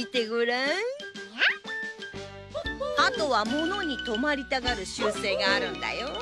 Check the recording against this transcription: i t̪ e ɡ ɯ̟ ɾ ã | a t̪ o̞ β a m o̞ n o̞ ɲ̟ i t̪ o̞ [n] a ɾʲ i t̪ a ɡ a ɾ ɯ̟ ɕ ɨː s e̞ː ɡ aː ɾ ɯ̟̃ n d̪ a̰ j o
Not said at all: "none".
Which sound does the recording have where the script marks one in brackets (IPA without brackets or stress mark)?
m